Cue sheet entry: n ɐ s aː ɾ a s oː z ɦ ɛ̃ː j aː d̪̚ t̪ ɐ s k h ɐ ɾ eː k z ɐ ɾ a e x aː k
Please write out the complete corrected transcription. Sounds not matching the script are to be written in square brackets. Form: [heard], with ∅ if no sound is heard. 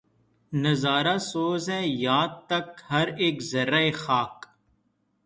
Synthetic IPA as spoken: n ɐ [z] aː ɾ a s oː z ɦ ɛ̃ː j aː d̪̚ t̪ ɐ [∅] k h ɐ ɾ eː k z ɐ ɾ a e x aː k